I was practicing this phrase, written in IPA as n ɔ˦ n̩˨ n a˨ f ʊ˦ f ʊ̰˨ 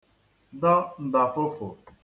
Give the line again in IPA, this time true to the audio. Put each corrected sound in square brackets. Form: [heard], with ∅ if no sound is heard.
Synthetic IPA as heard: [d] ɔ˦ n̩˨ [d] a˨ f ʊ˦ f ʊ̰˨